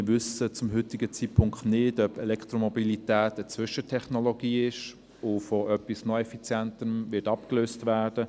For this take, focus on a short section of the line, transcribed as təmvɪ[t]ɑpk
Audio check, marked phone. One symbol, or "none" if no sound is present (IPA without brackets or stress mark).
t